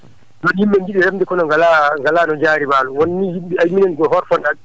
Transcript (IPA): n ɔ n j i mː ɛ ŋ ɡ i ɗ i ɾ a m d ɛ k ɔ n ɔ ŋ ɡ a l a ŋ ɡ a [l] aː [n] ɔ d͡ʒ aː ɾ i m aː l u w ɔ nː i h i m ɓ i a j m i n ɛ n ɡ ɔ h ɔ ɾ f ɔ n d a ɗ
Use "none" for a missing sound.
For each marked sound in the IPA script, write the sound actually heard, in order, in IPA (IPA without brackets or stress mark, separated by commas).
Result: l, n